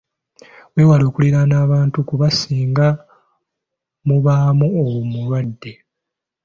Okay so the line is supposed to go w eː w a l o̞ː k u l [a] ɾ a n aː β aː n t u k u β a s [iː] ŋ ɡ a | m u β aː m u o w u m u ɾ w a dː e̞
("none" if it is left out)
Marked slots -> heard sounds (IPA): i, iː

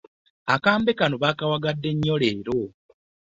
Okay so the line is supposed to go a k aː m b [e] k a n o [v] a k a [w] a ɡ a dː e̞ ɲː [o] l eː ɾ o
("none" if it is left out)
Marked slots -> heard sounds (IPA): e, β, w, o

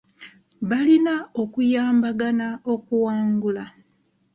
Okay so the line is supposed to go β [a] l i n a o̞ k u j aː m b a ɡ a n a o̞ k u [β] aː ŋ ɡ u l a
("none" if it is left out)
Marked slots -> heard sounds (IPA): a, w

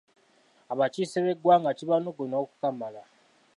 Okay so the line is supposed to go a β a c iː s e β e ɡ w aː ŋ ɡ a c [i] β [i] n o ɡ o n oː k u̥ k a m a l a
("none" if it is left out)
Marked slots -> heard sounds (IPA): i, a

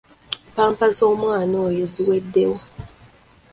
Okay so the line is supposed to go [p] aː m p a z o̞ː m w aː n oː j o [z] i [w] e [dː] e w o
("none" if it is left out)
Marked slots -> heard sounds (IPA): p, z, w, dː

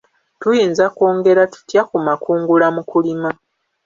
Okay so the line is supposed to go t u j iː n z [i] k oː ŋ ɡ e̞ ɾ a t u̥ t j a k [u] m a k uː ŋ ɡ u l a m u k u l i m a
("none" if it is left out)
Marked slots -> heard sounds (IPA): a, u

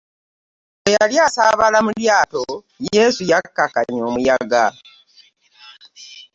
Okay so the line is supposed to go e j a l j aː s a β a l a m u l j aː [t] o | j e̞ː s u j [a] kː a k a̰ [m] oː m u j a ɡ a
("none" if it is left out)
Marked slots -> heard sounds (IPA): t, a, ɲ

